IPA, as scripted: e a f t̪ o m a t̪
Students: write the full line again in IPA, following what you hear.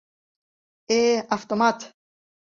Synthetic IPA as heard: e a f t̪ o m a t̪